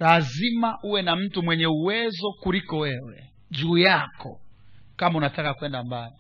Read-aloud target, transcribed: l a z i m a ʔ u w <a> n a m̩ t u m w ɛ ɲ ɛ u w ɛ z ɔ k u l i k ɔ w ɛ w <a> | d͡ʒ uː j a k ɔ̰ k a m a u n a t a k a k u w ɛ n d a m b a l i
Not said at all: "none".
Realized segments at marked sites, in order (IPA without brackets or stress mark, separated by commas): ɛ, ɛ